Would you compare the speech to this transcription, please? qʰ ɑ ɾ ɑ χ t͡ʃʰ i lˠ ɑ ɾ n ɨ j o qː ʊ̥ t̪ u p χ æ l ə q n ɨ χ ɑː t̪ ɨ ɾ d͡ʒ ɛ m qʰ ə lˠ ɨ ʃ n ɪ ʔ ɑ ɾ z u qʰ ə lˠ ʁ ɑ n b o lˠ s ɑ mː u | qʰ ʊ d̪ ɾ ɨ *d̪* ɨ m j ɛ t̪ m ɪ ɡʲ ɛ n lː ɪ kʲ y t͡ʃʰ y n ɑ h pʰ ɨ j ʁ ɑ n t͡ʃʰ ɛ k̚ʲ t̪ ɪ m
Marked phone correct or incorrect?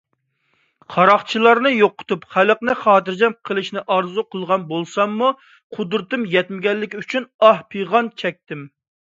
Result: incorrect